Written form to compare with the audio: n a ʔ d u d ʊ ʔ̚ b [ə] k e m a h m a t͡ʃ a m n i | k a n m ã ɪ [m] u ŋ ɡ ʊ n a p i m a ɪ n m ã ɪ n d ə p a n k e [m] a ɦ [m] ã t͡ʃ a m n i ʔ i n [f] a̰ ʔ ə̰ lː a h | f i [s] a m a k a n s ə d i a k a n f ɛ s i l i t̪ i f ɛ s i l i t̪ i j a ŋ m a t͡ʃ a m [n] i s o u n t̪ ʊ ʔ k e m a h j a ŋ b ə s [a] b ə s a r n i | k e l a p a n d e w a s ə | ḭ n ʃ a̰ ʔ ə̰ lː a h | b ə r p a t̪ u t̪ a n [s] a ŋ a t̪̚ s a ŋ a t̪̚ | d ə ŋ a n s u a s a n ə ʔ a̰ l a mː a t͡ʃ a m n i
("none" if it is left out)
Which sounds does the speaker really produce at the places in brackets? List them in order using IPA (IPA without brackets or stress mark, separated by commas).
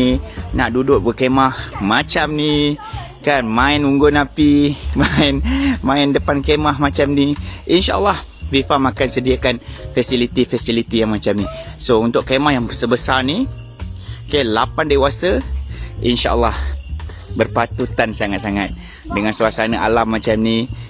ə, n, m, m, ʃ, f, n, ə, s